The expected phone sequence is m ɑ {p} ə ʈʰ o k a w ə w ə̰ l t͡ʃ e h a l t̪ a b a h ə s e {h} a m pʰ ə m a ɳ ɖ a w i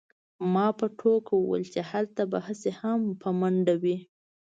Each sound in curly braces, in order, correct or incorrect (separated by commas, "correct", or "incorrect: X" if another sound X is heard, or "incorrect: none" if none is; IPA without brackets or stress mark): correct, correct